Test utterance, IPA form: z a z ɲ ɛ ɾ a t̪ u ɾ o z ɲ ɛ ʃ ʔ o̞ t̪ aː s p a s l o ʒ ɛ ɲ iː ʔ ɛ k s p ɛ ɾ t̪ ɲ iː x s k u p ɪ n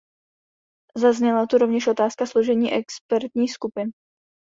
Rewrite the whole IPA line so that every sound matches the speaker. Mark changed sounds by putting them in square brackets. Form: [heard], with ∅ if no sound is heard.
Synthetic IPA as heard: z a z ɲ ɛ [l] a t̪ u ɾ o [v] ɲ ɛ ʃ ʔ o̞ t̪ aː s [k] a s l o ʒ ɛ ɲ iː ʔ ɛ k s p ɛ ɾ t̪ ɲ iː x s k u p ɪ n

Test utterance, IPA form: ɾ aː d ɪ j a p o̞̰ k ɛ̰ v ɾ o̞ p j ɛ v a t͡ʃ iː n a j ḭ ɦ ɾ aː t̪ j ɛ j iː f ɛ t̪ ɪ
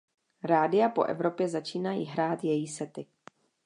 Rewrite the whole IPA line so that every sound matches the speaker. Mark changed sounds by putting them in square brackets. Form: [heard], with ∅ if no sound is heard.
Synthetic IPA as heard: ɾ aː d ɪ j a p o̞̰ [ʔ] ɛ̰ v ɾ o̞ p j ɛ [z] a t͡ʃ iː n a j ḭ ɦ ɾ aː t̪ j ɛ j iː [s] ɛ t̪ ɪ

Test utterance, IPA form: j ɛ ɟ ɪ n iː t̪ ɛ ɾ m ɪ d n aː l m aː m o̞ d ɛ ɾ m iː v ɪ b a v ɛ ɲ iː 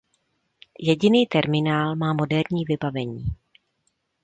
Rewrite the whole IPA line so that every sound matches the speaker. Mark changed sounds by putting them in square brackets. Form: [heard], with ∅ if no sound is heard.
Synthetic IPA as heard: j ɛ ɟ ɪ n iː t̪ ɛ ɾ m ɪ [∅] n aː l m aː m o̞ d ɛ ɾ [ɲ] iː v ɪ b a v ɛ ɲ iː

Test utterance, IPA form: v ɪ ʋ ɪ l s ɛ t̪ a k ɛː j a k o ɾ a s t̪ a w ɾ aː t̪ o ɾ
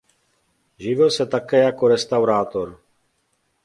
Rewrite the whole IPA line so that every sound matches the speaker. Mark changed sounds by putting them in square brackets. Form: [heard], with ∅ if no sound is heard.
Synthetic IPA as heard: [ʒ] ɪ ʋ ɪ l s ɛ t̪ a k ɛː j a k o ɾ [ɛ] s t̪ a w ɾ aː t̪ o ɾ

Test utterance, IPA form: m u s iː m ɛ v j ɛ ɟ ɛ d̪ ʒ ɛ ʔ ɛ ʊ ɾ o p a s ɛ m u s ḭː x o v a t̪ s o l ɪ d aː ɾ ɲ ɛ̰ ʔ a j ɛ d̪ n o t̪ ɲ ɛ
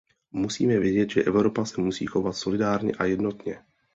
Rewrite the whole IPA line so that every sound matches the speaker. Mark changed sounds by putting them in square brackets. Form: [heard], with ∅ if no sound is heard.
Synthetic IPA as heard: m u s iː m ɛ v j ɛ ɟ ɛ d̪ ʒ ɛ ʔ ɛ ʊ ɾ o p a s ɛ m u s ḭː x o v a t̪ s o l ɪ d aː ɾ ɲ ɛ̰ ʔ a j ɛ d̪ n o t̪ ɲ ɛ

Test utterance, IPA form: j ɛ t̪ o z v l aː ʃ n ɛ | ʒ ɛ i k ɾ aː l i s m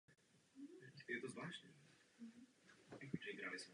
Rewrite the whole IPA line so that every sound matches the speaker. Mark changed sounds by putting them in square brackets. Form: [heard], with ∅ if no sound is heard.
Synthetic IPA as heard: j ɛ t̪ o z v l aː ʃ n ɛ | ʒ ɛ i [ɡ] ɾ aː l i s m

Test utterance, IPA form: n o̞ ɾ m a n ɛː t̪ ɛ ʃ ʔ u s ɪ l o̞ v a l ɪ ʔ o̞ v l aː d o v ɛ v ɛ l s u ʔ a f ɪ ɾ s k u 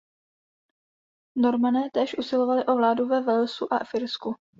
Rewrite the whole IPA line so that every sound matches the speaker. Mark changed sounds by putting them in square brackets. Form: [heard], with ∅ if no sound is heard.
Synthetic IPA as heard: n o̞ ɾ m a n ɛː t̪ [ɛː] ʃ ʔ u s ɪ l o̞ v a l ɪ ʔ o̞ v l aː d [u] v ɛ v ɛ l s u ʔ a f ɪ ɾ s k u

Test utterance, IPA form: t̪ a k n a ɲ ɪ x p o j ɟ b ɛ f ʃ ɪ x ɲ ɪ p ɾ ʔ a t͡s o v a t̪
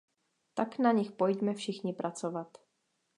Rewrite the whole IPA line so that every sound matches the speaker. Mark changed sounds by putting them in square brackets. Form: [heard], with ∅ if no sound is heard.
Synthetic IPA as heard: t̪ a k n a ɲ ɪ x p o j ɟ [m] ɛ f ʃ ɪ x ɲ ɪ p ɾ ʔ a t͡s o v a t̪

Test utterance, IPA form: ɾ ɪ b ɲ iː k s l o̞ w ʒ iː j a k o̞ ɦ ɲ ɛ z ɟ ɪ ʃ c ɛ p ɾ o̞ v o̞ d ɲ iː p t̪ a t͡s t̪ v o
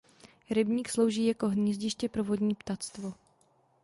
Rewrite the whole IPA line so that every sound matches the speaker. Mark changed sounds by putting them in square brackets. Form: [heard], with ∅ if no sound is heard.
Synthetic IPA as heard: ɾ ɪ b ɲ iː k s l o̞ w ʒ iː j a k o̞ ɦ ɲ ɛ z ɟ ɪ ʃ c ɛ p ɾ o̞ v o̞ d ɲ iː p t̪ a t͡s t̪ v o

